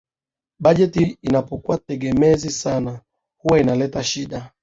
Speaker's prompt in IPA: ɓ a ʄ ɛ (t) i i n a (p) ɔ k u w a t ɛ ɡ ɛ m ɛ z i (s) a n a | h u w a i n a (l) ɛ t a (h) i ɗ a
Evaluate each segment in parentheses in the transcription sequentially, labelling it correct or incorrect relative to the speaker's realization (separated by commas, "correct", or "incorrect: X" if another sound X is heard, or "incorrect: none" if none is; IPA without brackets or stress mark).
correct, correct, correct, correct, incorrect: ʃ